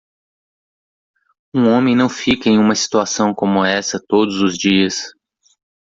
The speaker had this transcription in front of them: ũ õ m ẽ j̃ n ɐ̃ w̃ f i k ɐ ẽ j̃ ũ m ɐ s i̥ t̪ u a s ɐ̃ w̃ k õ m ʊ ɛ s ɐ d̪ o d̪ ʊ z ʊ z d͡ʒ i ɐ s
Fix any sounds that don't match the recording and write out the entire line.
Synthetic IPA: ũ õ m ẽ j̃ n ɐ̃ w̃ f i k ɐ ẽ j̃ ũ m ɐ s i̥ t̪ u a s ɐ̃ w̃ k õ m ʊ ɛ s ɐ t̪ o d̪ ʊ z ʊ z d͡ʒ i ɐ s